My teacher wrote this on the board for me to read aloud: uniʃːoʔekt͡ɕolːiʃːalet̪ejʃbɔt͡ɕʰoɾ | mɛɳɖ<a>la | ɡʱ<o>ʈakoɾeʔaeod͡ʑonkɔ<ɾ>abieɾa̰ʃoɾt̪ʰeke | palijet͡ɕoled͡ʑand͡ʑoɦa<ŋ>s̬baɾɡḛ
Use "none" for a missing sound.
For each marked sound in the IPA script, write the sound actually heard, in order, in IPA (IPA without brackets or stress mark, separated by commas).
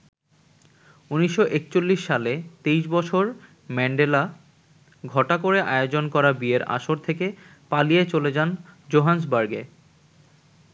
e, ɔ, ɾ, n